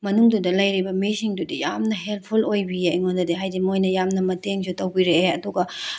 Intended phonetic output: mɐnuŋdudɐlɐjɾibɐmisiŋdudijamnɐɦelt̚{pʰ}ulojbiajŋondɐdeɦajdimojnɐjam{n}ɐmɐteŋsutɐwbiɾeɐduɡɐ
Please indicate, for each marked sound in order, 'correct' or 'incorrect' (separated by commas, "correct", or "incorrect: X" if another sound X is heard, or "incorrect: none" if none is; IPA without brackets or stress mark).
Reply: correct, correct